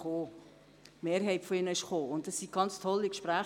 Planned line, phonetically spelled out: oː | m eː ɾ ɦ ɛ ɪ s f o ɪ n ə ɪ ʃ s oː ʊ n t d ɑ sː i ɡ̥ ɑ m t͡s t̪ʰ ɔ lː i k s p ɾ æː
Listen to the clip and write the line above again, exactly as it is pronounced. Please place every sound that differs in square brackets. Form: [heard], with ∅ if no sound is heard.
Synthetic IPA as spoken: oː | m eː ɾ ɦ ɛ ɪ [t] f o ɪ n ə ɪ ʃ [χ] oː ʊ n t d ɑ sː i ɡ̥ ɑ [n] t͡s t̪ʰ ɔ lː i k [ʃ] p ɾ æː